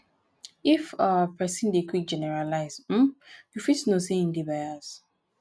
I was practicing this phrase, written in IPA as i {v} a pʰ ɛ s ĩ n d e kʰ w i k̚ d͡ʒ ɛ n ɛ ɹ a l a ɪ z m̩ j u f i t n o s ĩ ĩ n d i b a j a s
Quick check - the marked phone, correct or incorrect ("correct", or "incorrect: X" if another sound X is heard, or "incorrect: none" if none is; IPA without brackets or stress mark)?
incorrect: f